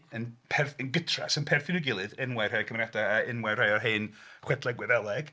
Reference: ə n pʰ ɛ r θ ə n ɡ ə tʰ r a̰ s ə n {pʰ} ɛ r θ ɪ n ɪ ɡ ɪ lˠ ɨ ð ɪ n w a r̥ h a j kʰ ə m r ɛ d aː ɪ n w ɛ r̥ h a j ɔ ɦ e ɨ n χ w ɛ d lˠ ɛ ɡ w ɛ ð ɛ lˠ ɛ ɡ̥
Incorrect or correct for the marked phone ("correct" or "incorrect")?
correct